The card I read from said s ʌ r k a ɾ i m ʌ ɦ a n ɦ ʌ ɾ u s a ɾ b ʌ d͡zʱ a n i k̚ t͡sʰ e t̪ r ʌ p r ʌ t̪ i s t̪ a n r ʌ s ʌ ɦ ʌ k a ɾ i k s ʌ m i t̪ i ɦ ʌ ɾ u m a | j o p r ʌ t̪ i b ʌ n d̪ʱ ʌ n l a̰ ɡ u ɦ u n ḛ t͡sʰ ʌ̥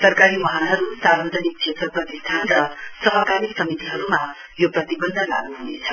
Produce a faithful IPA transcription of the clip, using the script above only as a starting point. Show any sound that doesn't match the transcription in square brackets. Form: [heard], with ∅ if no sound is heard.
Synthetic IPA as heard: s ʌ r k a ɾ i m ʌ ɦ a n ɦ ʌ ɾ u s a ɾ b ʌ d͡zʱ [ʌ] n i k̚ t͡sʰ e t̪ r ʌ p r ʌ t̪ i s [t̪ʰ] a n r ʌ s ʌ ɦ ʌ k a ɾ i k s ʌ m i t̪ i ɦ ʌ ɾ u m a | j o p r ʌ t̪ i b ʌ n d̪ʱ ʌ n l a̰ ɡ u ɦ u n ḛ t͡sʰ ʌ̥